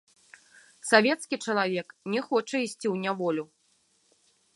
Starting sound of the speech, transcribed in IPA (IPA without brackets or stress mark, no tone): s